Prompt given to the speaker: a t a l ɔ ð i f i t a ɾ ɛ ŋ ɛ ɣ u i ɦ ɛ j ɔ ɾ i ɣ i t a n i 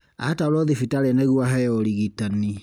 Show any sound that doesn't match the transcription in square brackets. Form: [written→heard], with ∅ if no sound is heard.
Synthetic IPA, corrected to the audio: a t a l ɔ ð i f i t a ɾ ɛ [ŋ→n] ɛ ɣ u [i→a] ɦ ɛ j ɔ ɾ i ɣ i t a n i